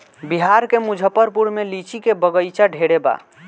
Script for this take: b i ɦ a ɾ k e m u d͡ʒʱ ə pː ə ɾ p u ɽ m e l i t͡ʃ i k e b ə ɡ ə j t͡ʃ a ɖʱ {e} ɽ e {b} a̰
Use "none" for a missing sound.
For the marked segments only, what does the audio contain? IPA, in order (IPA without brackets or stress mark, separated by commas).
e, b